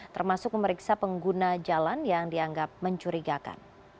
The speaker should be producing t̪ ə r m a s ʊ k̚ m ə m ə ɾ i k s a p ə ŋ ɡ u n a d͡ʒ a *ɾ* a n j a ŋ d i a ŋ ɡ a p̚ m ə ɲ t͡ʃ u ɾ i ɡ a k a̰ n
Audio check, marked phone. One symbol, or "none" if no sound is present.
l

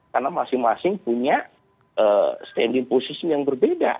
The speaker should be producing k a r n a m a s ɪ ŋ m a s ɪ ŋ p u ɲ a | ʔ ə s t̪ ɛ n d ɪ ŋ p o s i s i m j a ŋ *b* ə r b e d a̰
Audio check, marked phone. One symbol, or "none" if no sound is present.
b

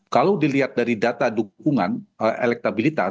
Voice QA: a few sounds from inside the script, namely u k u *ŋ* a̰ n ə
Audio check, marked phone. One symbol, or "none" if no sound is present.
ŋ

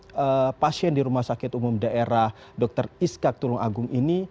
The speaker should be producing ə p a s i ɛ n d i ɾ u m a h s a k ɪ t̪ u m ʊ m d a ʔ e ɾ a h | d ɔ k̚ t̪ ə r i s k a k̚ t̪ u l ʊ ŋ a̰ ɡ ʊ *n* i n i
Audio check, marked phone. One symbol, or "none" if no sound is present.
ŋ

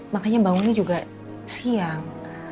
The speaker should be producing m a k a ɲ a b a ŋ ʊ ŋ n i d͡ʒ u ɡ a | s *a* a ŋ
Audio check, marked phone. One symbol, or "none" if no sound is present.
i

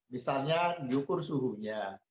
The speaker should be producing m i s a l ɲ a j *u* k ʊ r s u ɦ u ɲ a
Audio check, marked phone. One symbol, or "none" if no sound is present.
u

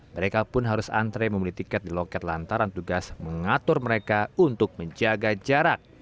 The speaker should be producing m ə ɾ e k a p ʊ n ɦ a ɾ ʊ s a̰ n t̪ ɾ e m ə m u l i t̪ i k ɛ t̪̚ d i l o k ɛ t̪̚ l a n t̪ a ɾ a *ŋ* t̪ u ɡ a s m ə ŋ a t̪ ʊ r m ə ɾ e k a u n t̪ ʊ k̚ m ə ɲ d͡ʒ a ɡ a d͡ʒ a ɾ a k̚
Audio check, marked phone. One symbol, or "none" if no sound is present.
n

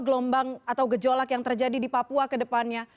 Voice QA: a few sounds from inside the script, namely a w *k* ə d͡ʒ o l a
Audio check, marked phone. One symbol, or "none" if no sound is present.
ɡ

